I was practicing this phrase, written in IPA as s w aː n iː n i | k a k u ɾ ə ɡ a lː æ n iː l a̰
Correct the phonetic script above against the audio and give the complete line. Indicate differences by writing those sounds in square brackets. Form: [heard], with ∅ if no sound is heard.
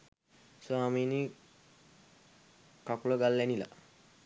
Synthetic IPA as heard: s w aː [m] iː n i | k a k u [l] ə ɡ a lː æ n [i] l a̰